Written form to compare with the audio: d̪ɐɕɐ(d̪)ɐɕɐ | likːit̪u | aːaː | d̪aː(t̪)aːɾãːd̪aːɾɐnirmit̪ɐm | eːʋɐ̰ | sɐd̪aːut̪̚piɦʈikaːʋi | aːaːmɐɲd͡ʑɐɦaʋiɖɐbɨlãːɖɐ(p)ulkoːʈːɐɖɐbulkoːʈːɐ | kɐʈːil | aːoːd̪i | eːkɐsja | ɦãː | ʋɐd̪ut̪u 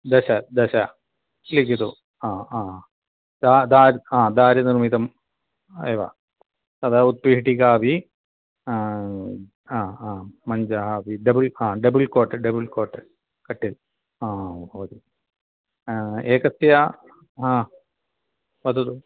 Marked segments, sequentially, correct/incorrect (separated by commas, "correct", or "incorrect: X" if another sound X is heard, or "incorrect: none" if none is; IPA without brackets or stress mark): correct, incorrect: d̪, incorrect: b